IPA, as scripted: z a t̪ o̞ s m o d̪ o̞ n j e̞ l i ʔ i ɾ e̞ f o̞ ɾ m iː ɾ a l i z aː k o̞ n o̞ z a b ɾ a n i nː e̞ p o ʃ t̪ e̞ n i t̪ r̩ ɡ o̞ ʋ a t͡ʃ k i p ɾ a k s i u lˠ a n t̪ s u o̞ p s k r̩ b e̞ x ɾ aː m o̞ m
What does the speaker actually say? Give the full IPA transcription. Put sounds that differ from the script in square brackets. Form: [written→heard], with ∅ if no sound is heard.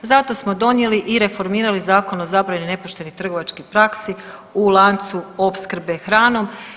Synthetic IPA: z a t̪ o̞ s m o d̪ o̞ n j e̞ l i ʔ i ɾ e̞ f o̞ ɾ m iː ɾ a l i z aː k o̞ n o̞ z a b ɾ a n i [nː→n] e̞ p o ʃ t̪ e̞ n i t̪ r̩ ɡ o̞ ʋ a t͡ʃ k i p ɾ a k s i u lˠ a n t̪ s u o̞ p s k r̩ b e̞ x ɾ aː [m→n] o̞ m